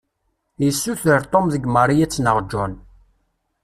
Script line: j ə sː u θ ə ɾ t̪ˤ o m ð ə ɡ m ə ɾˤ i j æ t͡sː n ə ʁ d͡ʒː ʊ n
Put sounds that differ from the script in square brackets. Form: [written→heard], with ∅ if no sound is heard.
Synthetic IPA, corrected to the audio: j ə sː u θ ə ɾ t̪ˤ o m ð ə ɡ m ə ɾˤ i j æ t͡sː n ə ʁ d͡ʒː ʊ n

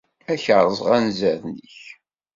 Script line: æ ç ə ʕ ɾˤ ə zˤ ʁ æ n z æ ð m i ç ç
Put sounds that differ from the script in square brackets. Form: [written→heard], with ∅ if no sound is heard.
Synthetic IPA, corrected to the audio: æ ç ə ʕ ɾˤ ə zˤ ʁ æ n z æ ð [m→n] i ç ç

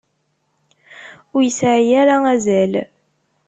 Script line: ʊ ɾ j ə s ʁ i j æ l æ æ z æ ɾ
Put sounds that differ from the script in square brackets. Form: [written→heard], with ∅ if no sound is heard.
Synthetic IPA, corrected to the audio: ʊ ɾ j ə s [ʁ→ʕ] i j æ [l→ɾ] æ æ z æ [ɾ→l]

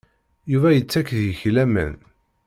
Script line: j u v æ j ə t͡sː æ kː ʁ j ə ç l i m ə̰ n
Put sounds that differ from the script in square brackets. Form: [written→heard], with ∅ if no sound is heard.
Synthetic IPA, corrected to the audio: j u v æ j ə t͡sː æ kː [ʁ→ð] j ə ç l [i→æ] m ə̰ n

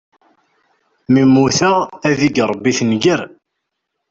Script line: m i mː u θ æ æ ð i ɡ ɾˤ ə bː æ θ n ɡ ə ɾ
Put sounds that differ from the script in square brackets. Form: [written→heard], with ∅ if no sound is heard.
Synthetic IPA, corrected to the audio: m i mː u θ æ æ ð i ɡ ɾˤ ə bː [æ→i] θ n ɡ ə ɾ

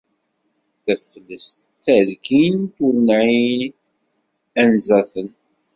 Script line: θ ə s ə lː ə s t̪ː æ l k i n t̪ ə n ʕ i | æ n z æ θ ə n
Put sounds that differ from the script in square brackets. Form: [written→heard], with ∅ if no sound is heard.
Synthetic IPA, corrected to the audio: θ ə [s→f] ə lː ə s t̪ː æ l k i n t̪ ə n ʕ i | æ n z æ θ ə n

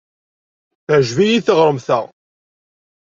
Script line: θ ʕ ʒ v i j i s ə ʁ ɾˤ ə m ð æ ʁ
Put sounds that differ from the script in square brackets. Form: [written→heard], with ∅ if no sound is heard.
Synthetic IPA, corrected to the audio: θ ʕ ʒ v i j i [s→θ] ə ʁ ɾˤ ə m [ð→θ] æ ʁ

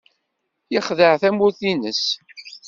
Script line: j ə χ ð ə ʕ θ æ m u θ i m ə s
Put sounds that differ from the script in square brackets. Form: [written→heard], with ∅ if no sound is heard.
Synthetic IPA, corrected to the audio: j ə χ ð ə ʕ θ æ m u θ i [m→n] ə s

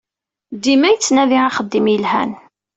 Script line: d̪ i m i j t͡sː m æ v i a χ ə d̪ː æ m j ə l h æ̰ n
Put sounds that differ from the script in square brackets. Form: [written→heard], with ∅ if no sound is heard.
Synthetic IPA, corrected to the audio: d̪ i m [i→æ] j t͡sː [m→n] æ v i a χ ə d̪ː [æ→i] m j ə l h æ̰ n

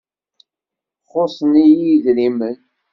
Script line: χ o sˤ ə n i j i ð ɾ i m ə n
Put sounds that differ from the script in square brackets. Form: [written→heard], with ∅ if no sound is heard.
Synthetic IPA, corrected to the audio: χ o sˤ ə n i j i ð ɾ i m ə n

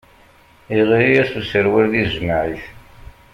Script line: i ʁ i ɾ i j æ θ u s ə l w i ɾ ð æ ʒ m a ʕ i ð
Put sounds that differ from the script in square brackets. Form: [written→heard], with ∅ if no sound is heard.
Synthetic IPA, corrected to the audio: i ʁ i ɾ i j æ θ u s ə [l→ɾ] w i ɾ ð [æ→i] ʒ m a ʕ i [ð→θ]

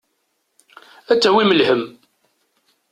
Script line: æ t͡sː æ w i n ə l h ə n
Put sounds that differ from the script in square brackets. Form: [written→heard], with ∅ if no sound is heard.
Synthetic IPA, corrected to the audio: æ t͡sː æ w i [n→m] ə l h ə [n→m]

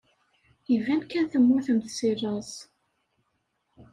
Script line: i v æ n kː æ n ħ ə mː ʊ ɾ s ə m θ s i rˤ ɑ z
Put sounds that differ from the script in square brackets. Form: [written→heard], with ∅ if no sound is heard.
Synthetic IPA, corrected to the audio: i v æ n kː æ n [ħ→θ] ə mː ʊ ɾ [s→θ] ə m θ s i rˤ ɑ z

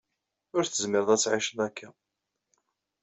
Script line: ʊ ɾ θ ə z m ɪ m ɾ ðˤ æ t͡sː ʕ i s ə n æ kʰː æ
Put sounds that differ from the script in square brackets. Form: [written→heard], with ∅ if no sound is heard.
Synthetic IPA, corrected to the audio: ʊ ɾ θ ə z m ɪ [m→∅] ɾ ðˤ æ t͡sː ʕ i [s→ʃ] ə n æ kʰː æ

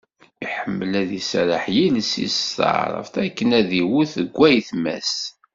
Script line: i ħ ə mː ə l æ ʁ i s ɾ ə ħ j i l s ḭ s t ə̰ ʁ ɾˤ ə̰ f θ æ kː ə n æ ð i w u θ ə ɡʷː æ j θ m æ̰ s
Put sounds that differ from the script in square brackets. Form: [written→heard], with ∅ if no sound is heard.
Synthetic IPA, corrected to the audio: i ħ ə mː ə l æ [ʁ→ð] i s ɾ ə ħ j i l s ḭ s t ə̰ [ʁ→ʕ] ɾˤ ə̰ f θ æ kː ə n æ ð i w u θ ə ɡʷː æ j θ m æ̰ s

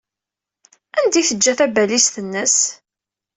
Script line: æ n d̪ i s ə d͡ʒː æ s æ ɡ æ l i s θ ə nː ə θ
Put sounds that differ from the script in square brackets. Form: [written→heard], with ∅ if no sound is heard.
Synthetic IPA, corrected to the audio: æ n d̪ i [s→θ] ə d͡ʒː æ [s→θ] æ [ɡ→b] æ l i s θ ə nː ə [θ→s]

